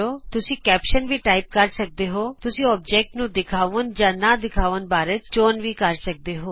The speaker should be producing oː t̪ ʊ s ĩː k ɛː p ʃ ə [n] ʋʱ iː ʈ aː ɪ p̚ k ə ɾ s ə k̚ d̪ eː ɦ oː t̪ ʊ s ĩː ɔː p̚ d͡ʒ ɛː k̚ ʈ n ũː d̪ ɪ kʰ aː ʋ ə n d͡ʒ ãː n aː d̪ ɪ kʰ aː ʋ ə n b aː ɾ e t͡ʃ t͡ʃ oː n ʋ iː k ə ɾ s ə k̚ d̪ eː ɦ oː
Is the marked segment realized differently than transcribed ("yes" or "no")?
no